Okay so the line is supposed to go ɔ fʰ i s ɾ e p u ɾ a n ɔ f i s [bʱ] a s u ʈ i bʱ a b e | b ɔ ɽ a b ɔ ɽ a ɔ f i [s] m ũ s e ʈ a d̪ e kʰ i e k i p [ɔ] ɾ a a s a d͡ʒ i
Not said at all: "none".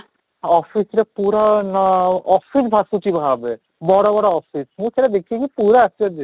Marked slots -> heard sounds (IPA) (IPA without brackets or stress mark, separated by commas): bʱ, s, u